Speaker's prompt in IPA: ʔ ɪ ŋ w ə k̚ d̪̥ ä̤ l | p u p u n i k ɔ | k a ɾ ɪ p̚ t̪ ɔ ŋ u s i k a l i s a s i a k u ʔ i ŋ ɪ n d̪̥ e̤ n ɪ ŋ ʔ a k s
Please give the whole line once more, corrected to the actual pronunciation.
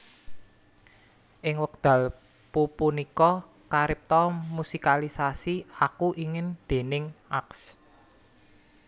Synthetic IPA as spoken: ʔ ɪ ŋ w ə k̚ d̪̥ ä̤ l | p u p u n i k ɔ | k a ɾ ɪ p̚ t̪ ɔ m u s i k a l i s a s i a k u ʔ i ŋ ɪ n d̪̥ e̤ n ɪ ŋ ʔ a k s